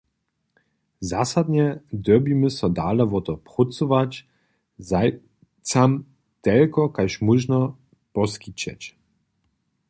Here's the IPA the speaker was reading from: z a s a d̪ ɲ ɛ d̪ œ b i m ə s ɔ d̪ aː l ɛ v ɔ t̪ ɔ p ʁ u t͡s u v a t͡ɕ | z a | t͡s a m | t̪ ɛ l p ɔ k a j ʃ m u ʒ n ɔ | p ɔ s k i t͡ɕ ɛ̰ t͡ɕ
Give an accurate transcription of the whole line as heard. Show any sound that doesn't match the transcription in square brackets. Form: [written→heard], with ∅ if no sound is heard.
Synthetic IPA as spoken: z a s a d̪ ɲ ɛ d̪ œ b i m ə s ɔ d̪ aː l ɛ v ɔ t̪ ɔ p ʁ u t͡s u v a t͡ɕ | z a | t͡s a m | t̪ ɛ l [p→k] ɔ k a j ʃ m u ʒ n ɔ | p ɔ s k i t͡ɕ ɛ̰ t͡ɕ